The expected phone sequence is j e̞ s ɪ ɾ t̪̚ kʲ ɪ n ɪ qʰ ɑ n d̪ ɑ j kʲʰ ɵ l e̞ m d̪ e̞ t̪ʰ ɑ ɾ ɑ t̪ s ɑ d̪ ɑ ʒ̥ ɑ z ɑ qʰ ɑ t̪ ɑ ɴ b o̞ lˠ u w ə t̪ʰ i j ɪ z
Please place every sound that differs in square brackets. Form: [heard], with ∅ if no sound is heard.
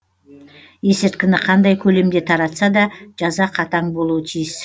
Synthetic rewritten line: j e̞ s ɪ ɾ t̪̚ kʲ ɪ n ɪ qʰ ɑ n d̪ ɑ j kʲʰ ɵ l e̞ m d̪ e̞ t̪ʰ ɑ ɾ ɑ t̪ s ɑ d̪ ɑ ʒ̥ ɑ z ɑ qʰ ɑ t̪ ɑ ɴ b o̞ lˠ u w ə t̪ʰ i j ɪ [s]